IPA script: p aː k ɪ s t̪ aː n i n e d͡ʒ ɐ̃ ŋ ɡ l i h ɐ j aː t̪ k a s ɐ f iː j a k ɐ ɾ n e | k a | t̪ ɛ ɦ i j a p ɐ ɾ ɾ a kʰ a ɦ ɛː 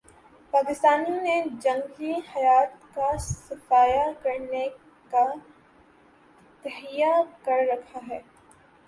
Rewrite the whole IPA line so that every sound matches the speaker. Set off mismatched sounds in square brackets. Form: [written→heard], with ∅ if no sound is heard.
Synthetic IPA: p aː k ɪ s t̪ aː n i n e d͡ʒ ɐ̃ ŋ ɡ l i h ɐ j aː t̪ k a s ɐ f [iː→aː] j a k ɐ ɾ n e | k a | t̪ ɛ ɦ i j a [p→k] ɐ ɾ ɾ [a→ɐ] kʰ a ɦ ɛː